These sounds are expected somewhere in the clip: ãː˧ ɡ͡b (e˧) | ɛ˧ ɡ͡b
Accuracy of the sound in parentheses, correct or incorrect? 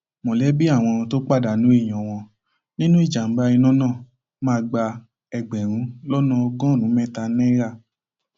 incorrect